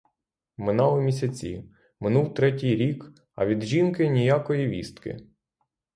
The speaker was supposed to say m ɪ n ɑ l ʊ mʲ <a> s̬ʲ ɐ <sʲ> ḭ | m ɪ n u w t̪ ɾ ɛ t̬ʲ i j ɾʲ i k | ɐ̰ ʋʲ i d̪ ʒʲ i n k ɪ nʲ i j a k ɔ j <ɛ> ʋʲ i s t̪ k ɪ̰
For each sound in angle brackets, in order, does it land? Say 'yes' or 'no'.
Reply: no, no, no

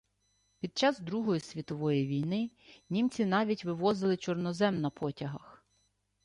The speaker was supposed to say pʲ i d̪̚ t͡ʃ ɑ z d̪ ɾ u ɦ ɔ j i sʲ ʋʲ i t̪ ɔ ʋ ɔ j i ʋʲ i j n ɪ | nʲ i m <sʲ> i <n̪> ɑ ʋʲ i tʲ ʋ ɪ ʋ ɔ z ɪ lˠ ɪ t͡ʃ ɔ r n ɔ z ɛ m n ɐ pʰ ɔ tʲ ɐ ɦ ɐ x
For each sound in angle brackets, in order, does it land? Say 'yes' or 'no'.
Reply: no, yes

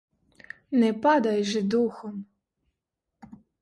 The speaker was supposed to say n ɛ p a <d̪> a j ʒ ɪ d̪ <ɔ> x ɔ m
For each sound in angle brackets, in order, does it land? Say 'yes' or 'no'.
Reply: yes, no

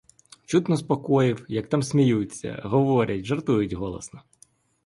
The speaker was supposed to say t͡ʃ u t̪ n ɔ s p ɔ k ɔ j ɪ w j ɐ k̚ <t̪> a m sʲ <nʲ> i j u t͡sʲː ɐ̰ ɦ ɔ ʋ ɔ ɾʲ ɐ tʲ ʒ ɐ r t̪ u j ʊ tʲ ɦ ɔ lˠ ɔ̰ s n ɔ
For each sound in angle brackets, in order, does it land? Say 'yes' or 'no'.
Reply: yes, no

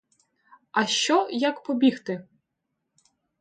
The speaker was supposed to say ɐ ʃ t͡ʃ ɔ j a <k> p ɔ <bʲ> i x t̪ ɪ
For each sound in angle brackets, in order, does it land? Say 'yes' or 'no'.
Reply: yes, yes

